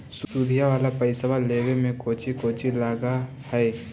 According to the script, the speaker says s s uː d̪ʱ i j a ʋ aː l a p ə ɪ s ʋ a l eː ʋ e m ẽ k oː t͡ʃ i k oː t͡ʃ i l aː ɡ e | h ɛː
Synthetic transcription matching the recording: s s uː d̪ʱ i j a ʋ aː l a p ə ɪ s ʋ a l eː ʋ e m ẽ k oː t͡ʃ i k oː t͡ʃ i l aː ɡ a | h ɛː